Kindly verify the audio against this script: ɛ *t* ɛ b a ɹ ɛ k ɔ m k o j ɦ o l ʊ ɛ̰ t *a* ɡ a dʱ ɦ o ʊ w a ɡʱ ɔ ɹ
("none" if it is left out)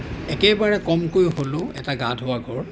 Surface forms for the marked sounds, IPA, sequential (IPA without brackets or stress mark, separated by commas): k, a